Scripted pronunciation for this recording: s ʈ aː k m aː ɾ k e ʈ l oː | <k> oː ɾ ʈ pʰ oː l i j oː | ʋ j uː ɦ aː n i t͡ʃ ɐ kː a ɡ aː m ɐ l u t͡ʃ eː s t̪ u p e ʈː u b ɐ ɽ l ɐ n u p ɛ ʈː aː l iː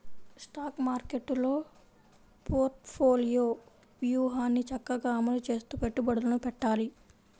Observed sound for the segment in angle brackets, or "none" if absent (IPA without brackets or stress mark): p